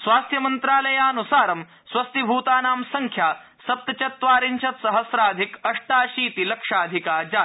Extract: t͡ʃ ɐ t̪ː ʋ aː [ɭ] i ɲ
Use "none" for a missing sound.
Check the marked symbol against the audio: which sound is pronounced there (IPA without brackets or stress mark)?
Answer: ɾ